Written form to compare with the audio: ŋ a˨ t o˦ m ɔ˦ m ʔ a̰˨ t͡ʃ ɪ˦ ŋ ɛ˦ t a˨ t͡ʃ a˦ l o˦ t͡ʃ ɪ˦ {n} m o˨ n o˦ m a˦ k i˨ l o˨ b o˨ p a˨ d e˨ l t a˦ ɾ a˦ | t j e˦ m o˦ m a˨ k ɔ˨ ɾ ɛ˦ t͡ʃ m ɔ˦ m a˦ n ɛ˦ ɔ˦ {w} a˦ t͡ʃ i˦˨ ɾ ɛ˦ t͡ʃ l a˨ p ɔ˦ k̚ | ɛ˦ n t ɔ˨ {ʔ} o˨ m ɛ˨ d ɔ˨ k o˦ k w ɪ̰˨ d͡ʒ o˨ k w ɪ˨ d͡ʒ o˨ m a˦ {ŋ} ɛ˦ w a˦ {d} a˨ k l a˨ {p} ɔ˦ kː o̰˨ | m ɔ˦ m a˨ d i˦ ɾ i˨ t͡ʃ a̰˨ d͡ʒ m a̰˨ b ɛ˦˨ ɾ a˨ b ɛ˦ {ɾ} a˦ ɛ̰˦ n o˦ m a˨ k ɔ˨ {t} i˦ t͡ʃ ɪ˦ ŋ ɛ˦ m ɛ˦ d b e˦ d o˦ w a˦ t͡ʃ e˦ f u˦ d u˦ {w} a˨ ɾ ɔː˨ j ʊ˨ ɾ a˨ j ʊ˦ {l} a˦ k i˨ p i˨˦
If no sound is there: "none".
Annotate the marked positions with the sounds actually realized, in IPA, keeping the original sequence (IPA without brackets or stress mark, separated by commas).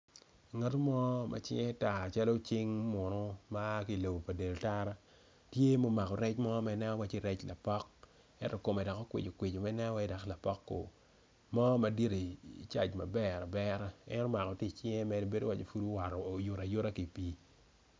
ŋ, w, k, n, d, p, ɾ, t, w, ɾ